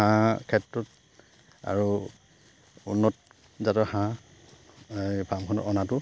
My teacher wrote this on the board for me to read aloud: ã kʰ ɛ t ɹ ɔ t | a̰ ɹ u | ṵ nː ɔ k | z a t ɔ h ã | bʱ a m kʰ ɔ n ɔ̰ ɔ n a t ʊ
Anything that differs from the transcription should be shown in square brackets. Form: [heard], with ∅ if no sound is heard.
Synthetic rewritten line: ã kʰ ɛ t ɹ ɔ t | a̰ ɹ u | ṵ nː ɔ [t] | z a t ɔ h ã | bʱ a m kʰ ɔ n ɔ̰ ɔ n a t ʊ